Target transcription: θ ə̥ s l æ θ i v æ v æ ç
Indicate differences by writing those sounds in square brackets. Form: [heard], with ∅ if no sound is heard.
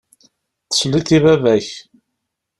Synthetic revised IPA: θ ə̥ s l [i] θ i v æ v æ ç